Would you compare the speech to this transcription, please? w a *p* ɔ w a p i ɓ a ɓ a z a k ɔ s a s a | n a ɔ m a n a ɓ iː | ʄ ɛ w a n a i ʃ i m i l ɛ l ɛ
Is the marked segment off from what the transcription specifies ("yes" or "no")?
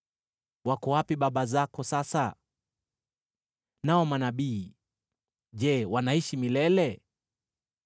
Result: yes